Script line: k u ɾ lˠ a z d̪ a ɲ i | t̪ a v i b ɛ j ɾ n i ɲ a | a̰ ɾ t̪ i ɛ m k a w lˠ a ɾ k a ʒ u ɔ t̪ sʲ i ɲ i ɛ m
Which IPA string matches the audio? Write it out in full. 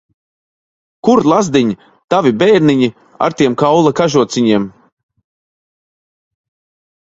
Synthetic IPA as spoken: k u ɾ lˠ a z d̪ i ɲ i | t̪ a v i b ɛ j ɾ n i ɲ i | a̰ ɾ t̪ i ɛ m k a w lˠ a k a ʒ u ɔ t̪ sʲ i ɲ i ɛ m